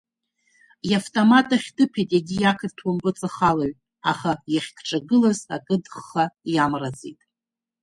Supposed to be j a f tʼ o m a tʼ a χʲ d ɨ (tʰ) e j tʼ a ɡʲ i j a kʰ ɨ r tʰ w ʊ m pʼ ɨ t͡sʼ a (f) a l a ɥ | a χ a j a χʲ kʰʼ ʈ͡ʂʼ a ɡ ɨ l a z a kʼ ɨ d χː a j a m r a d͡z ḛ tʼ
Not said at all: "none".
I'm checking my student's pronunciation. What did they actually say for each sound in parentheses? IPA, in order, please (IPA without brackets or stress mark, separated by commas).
pʰ, χ